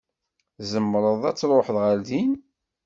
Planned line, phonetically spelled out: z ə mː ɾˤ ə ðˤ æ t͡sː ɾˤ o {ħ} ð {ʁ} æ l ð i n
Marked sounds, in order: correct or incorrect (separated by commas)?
correct, correct